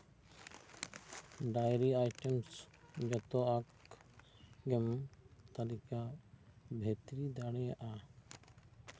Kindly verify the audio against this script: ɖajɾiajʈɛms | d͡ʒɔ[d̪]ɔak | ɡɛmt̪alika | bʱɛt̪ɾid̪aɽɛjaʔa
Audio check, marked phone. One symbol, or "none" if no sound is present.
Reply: t̪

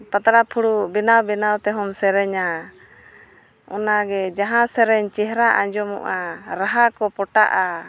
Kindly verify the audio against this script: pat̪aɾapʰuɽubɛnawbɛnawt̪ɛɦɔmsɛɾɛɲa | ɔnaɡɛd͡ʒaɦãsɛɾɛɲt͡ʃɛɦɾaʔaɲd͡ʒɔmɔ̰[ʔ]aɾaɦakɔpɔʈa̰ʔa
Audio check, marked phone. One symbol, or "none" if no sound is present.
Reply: ʔ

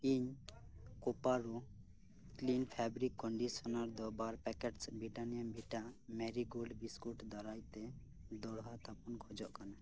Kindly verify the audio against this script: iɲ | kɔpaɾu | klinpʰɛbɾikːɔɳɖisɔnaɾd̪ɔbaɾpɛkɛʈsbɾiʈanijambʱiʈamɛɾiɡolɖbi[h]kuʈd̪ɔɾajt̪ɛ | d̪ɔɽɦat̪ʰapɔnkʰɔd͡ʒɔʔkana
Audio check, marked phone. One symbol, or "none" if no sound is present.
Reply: s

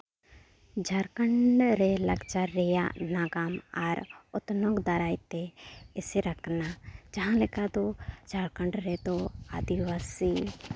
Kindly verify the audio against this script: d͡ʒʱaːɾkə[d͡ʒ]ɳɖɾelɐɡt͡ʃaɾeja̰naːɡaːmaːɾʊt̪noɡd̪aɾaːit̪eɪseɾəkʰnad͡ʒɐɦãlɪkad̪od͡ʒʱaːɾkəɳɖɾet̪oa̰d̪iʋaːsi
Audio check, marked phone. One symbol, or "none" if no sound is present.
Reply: none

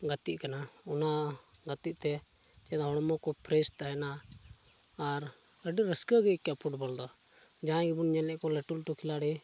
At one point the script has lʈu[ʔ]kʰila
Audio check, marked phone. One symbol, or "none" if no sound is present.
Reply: none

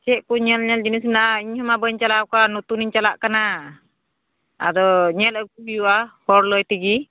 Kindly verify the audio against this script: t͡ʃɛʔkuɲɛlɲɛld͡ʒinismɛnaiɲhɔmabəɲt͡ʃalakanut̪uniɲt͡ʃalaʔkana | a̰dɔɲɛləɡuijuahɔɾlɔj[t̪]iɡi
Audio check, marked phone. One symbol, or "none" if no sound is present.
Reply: t̪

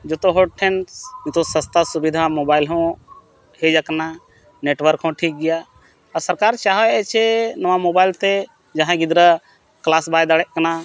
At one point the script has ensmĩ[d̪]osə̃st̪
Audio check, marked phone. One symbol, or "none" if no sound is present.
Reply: t̪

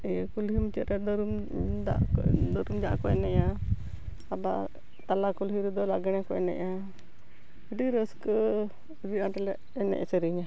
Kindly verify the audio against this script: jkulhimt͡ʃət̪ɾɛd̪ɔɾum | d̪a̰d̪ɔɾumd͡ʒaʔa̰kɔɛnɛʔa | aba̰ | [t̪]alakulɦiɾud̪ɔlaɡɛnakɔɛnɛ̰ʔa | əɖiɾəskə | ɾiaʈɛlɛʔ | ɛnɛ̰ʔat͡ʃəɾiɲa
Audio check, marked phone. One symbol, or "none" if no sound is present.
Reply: t̪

